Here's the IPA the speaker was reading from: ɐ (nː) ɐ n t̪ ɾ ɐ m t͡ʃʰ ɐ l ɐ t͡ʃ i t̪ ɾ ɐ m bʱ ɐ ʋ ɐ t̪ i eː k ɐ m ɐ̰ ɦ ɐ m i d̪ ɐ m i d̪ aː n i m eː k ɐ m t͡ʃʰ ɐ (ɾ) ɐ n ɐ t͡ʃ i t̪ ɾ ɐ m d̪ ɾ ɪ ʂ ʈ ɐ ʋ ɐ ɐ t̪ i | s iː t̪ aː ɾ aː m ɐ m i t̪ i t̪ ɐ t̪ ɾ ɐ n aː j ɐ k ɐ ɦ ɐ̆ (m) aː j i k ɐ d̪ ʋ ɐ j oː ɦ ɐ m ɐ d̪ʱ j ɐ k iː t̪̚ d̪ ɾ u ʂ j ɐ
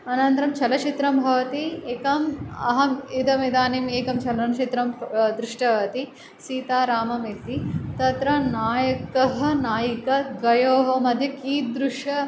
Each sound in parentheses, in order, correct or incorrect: incorrect, incorrect, incorrect

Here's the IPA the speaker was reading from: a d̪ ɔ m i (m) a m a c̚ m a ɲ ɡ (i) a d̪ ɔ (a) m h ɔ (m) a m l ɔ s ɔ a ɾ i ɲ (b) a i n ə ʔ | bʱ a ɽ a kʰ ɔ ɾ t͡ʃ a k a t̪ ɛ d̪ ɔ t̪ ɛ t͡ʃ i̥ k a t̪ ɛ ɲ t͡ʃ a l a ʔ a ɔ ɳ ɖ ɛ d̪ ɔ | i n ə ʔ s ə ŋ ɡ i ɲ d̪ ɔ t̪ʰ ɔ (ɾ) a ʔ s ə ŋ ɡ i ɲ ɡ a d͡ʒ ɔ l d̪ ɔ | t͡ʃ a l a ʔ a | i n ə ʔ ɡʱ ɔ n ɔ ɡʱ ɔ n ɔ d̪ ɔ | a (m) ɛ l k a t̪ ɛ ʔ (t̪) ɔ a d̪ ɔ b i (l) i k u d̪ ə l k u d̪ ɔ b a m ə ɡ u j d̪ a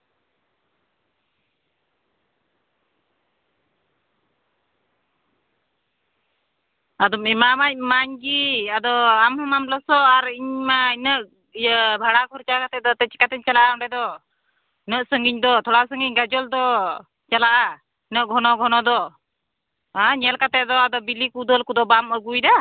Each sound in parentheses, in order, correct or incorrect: correct, correct, correct, correct, incorrect, incorrect, incorrect, incorrect, correct

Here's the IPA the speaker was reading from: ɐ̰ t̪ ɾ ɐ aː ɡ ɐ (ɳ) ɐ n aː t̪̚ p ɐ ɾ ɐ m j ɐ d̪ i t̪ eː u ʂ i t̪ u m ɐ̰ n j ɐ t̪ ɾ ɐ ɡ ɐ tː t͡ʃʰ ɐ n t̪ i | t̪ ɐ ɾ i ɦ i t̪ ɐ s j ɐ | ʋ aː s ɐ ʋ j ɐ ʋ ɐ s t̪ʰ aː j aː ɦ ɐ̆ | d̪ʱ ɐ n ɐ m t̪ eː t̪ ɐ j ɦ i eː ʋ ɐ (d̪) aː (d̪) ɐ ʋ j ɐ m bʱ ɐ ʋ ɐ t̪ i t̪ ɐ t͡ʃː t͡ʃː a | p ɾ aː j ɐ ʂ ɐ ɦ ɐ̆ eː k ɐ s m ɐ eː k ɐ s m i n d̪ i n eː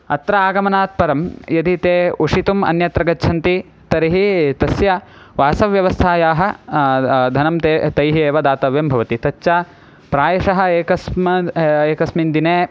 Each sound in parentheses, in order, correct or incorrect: incorrect, correct, incorrect

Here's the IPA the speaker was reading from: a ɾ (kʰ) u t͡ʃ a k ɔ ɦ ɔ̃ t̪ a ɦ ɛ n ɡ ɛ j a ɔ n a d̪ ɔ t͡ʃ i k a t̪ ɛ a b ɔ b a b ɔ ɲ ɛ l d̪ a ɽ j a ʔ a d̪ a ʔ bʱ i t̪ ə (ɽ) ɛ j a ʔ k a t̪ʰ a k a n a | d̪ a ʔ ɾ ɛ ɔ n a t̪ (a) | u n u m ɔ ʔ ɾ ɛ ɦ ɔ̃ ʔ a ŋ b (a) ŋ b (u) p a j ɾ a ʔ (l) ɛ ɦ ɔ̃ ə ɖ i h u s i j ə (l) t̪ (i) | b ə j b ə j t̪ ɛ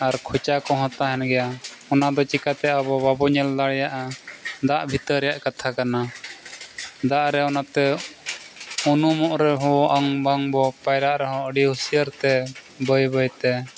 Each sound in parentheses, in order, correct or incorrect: correct, incorrect, incorrect, correct, incorrect, incorrect, incorrect, incorrect

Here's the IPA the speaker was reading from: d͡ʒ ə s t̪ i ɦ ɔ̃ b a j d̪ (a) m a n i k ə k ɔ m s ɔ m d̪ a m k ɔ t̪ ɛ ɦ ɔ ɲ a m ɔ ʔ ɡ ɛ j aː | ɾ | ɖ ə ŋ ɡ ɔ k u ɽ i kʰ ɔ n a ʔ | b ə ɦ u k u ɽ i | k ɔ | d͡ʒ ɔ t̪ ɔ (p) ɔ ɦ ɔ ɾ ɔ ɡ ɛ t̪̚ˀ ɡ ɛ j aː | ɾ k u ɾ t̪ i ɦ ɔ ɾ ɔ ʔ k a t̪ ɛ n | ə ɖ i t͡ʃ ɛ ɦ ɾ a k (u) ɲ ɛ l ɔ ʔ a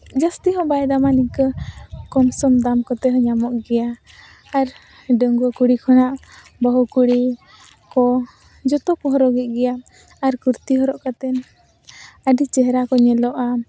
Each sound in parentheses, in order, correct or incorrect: correct, correct, incorrect

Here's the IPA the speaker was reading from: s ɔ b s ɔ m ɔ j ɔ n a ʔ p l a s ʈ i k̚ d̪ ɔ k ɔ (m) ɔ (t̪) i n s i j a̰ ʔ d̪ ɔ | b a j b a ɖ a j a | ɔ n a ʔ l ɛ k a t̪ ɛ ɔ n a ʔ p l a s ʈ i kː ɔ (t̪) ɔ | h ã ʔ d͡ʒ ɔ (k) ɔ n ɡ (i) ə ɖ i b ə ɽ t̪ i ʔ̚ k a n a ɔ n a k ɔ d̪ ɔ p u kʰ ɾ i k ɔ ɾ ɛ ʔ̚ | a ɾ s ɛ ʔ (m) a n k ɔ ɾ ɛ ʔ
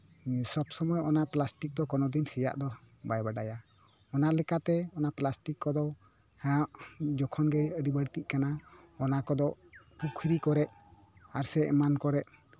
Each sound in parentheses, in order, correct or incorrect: incorrect, incorrect, incorrect, incorrect, incorrect, correct

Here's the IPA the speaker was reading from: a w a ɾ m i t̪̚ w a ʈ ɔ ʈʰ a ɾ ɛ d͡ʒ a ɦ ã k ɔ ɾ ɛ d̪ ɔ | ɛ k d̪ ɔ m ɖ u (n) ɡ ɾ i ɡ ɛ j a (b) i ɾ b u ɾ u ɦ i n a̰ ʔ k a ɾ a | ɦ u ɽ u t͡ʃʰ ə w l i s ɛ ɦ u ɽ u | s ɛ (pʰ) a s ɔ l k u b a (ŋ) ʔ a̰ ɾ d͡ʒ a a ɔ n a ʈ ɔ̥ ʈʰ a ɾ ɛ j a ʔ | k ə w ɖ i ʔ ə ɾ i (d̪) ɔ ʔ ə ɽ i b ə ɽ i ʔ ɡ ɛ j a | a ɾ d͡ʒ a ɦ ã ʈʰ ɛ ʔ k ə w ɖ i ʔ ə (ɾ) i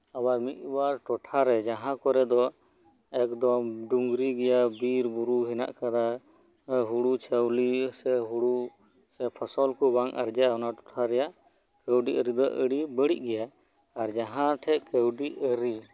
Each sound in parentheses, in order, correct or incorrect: incorrect, correct, correct, correct, correct, correct

